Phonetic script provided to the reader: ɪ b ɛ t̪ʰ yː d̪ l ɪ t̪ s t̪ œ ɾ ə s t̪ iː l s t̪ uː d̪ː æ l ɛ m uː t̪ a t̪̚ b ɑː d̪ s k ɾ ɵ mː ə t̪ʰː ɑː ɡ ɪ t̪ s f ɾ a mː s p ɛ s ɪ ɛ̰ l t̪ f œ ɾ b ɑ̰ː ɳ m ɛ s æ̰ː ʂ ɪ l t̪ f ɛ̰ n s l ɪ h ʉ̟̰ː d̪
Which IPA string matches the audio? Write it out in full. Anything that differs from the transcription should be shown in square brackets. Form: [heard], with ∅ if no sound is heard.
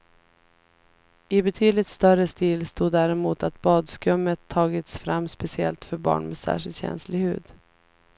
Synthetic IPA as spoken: ɪ b ɛ t̪ʰ yː d̪ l ɪ t̪ s t̪ œ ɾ ə s t̪ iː l s t̪ uː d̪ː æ [ɾ] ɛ m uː t̪ a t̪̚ b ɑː d̪ s k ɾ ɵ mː ə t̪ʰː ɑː ɡ ɪ t̪ s f ɾ a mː s p ɛ s ɪ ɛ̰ l t̪ f œ ɾ b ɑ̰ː ɳ m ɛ s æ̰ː ʂ ɪ l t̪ [ɕ] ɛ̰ n s l ɪ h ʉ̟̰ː d̪

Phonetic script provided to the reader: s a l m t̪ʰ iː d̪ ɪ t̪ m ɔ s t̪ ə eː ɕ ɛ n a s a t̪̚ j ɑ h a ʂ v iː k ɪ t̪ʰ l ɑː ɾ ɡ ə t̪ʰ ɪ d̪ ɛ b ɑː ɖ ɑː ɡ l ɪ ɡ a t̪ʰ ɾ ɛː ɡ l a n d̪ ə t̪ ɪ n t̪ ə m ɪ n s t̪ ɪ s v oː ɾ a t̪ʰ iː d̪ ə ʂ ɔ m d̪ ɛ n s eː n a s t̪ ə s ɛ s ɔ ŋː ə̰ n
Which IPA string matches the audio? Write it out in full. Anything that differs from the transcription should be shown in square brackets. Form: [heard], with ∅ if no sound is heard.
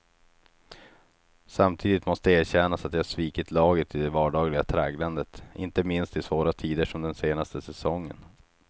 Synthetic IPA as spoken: s a [∅] m t̪ʰ iː d̪ ɪ t̪ m ɔ s t̪ ə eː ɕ ɛ n a s a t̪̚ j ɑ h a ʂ v iː k ɪ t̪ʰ l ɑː [∅] ɡ ə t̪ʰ ɪ d̪ ɛ [v] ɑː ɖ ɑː ɡ l ɪ ɡ a t̪ʰ ɾ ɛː ɡ l a n d̪ ə t̪ ɪ n t̪ ə m ɪ n s t̪ ɪ s v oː ɾ a t̪ʰ iː d̪ ə ʂ ɔ m d̪ ɛ n s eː n a s t̪ ə s ɛ s ɔ ŋː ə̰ n

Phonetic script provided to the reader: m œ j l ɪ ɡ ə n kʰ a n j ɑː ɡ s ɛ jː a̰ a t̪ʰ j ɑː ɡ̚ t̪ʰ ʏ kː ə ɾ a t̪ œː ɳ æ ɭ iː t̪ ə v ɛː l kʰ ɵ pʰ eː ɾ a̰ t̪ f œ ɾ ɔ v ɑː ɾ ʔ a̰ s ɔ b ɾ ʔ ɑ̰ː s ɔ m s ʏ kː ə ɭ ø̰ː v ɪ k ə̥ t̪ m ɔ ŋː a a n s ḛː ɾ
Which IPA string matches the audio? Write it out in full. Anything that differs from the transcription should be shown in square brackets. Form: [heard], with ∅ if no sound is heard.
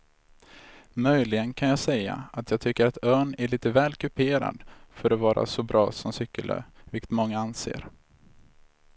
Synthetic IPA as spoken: m œ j l ɪ ɡ ə n kʰ a n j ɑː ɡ s ɛ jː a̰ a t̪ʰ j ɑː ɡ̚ t̪ʰ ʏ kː ə ɾ a t̪ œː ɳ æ ɭ iː t̪ ə v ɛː l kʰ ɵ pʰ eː ɾ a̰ [d̪] f œ ɾ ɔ v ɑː ɾ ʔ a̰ s ɔ b ɾ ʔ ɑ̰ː s ɔ m s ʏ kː ə [l] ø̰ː v ɪ k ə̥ t̪ m ɔ ŋː a a n s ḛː ɾ

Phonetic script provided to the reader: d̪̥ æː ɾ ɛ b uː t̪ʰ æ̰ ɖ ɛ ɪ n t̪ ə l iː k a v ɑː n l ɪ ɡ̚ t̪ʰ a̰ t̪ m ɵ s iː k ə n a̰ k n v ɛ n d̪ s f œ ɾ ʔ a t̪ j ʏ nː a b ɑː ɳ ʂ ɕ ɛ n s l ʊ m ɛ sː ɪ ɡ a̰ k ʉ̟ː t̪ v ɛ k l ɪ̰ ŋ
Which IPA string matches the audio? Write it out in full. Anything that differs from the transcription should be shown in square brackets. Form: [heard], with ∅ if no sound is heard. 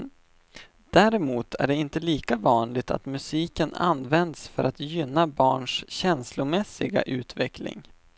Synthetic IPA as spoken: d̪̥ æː ɾ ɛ [m] uː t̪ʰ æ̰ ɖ ɛ ɪ n t̪ ə l iː k a v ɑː n l ɪ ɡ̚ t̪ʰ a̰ t̪ m ɵ s iː k ə n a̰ [∅] n v ɛ n d̪ s f œ ɾ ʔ a t̪ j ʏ nː a b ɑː ɳ ʂ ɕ ɛ n s l ʊ m ɛ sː ɪ ɡ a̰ [ʔ] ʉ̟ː t̪ v ɛ k l ɪ̰ ŋ

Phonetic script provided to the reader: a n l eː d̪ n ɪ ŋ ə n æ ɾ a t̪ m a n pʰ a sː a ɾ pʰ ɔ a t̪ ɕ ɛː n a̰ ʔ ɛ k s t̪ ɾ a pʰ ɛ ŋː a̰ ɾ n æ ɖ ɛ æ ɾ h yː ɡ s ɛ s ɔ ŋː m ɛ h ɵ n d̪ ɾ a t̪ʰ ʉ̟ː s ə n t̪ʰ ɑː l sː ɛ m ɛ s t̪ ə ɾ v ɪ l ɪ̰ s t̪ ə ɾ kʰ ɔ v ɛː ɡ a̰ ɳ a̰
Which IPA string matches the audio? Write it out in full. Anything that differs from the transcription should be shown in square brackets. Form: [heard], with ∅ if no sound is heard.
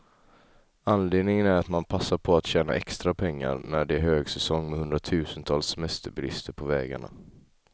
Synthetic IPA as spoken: a n l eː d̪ n ɪ ŋ ə n æ ɾ a t̪ m a n pʰ a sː a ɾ pʰ ɔ a t̪ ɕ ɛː n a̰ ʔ ɛ k s t̪ ɾ a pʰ ɛ ŋː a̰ ɾ n æ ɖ ɛ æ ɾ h [øː] ɡ s ɛ s ɔ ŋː m ɛ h ɵ n d̪ ɾ a t̪ʰ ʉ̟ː s ə n t̪ʰ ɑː l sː ɛ m ɛ s t̪ ə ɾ [b] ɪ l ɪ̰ s t̪ ə ɾ [pʰ] ɔ v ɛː ɡ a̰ ɳ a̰

